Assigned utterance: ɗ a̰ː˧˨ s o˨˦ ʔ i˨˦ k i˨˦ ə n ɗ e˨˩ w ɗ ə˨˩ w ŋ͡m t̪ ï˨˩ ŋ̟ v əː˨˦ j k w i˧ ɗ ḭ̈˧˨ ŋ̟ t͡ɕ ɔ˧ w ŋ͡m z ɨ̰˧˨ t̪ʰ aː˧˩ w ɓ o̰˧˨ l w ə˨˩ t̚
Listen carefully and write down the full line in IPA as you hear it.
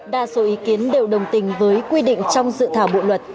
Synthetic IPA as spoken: ɗ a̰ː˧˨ s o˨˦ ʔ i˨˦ k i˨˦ ə n ɗ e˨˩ w ɗ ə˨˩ w ŋ͡m t̪ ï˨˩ ŋ̟ v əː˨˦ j k w i˧ ɗ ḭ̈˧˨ ŋ̟ t͡ɕ ɔ˧ w ŋ͡m z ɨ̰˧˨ t̪ʰ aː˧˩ w ɓ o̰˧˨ l w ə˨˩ t̚